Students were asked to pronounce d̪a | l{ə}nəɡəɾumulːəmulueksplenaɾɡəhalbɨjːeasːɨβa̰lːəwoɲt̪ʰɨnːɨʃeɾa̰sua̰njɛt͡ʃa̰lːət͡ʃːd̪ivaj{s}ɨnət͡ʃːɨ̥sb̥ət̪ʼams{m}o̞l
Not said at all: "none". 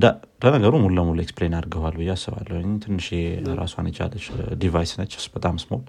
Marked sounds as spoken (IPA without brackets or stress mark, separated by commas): ə, s, m